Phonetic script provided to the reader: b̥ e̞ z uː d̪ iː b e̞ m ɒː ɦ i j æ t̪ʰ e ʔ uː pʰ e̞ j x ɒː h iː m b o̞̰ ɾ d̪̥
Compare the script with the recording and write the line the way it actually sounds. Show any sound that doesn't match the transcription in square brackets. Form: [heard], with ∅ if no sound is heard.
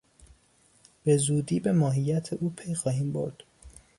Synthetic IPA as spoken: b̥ e̞ z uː d̪ iː b e̞ m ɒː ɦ i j æ t̪ʰ e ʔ uː pʰ e̞ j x ɒː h iː m b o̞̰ ɾ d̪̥